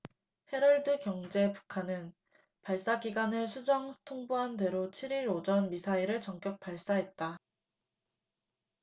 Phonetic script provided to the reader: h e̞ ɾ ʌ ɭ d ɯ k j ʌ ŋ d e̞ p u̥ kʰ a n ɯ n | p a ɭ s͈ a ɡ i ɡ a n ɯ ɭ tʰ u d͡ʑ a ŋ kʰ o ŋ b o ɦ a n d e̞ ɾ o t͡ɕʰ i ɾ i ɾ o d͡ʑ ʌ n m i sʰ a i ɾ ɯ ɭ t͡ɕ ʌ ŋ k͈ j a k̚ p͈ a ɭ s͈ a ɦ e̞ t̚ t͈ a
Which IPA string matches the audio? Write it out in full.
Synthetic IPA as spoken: h e̞ ɾ ʌ ɭ d ɯ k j ʌ ŋ d͡ʑ e̞ p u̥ kʰ a n ɯ n | p a ɭ s͈ a ɡ i ɡ a n ɯ ɭ sʰ u d͡ʑ ʌ ŋ tʰ o ŋ b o ɦ a n d e̞ ɾ o t͡ɕʰ i ɾ i ɾ o d͡ʑ ʌ n m i sʰ a i ɾ ɯ ɭ t͡ɕ ʌ ŋ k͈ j ʌ k̚ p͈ a ɭ s͈ a ɦ e̞ t̚ t͈ a

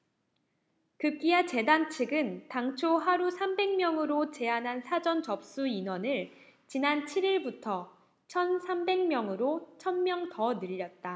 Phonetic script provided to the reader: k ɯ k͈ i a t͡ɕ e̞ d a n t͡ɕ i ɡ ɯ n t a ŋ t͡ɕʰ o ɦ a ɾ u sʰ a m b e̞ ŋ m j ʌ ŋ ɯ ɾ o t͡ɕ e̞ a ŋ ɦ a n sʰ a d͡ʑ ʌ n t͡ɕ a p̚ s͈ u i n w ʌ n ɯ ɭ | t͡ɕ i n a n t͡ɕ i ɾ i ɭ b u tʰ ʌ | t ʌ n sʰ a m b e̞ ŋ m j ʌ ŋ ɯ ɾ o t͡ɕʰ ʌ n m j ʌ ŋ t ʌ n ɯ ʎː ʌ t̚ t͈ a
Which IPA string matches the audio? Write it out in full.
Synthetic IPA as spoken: k ɯ k͈ i a t͡ɕ e̞ d a n t͡ɕʰ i ɡ ɯ n t a ŋ t͡ɕʰ o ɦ a ɾ u sʰ a m b e̞ ŋ m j ʌ ŋ ɯ ɾ o t͡ɕ e̞ a n ɦ a n sʰ a d͡ʑ ʌ n t͡ɕ ʌ p̚ s͈ u i n w ʌ n ɯ ɭ | t͡ɕ i n a n t͡ɕʰ i ɾ i ɭ b u tʰ ʌ | t͡ɕʰ ʌ n sʰ a m b e̞ ŋ m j ʌ ŋ ɯ ɾ o t͡ɕʰ ʌ n m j ʌ ŋ t ʌ n ɯ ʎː ʌ t̚ t͈ a

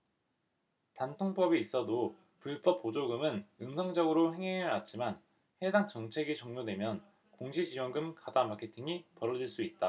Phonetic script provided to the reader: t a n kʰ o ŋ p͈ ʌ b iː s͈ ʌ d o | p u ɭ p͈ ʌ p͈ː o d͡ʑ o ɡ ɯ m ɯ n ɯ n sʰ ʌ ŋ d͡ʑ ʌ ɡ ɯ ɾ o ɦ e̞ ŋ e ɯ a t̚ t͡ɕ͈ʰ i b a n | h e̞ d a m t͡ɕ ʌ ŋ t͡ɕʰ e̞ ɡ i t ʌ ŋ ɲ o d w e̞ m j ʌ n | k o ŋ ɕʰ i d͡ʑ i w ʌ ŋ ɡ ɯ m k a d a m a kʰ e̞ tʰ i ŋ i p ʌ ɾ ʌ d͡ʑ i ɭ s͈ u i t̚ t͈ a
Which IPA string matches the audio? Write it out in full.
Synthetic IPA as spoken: t a n tʰ o ŋ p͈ ʌ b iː s͈ ʌ d o | p u ɭ p͈ ʌ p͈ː o d͡ʑ o ɡ ɯ m ɯ n ɯ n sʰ ʌ ŋ d͡ʑ ʌ ɡ ɯ ɾ o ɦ e̞ ŋ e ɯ a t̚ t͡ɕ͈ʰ i m a n | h e̞ d a ŋ t͡ɕ ʌ ŋ t͡ɕʰ e̞ ɡ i t͡ɕ ʌ ŋ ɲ o d w e̞ m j ʌ n | k o ŋ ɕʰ i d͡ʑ i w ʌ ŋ ɡ ɯ m k a d a m a kʰ e̞ tʰ i ŋ i p ʌ ɾ ʌ d͡ʑ i ɭ s͈ u i t̚ t͈ a

